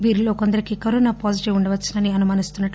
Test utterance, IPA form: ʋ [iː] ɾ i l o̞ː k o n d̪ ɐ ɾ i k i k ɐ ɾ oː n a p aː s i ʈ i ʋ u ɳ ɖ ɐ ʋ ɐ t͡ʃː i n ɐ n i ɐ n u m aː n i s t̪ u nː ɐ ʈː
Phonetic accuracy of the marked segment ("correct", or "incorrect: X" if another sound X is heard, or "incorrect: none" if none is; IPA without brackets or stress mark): correct